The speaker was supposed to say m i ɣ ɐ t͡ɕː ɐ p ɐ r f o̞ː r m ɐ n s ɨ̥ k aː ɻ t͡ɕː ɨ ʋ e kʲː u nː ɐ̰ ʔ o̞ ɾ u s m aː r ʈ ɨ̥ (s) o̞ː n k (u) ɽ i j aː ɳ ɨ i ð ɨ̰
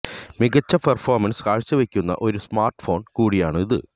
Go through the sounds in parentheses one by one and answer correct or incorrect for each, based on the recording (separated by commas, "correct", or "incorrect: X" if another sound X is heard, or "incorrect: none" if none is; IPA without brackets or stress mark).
incorrect: f, incorrect: uː